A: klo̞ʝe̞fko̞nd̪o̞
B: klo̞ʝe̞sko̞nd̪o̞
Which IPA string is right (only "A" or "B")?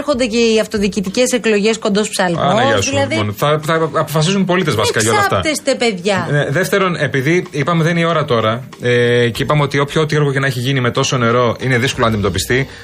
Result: B